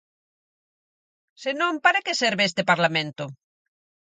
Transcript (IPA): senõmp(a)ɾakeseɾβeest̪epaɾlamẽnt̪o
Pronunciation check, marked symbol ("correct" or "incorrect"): correct